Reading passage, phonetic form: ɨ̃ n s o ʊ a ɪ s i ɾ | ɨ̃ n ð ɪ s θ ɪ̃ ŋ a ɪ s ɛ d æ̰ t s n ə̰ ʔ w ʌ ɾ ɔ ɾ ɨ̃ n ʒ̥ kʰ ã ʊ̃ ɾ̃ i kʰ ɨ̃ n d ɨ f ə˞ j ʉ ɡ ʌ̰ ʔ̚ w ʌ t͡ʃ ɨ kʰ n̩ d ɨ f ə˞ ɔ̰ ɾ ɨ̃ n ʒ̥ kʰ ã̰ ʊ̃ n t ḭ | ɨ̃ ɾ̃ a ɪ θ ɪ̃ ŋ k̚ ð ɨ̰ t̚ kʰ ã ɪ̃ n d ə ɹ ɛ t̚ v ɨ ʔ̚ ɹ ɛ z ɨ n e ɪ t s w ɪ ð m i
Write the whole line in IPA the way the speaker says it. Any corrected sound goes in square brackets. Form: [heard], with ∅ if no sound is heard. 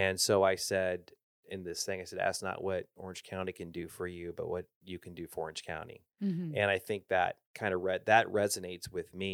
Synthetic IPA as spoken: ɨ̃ n s o ʊ a ɪ s [ɛ] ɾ | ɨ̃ n ð ɪ s θ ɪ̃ ŋ a ɪ s ɛ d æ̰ t s n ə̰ ʔ w ʌ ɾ ɔ [ɹ] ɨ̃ n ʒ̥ kʰ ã ʊ̃ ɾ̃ i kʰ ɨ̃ n d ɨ f ə˞ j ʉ [b] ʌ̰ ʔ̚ w ʌ t͡ʃ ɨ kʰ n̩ d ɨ f ə˞ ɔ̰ [ɹ] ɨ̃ n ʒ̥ kʰ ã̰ ʊ̃ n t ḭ | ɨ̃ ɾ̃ a ɪ θ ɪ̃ ŋ k̚ ð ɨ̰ t̚ kʰ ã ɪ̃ n d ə ɹ ɛ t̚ [ð] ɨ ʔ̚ ɹ ɛ z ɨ n e ɪ t s w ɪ ð m i